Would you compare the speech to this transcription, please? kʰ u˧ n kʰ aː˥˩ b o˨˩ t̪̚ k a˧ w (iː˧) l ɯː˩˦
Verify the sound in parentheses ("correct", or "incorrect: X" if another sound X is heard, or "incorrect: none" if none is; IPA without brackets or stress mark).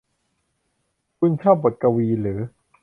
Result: correct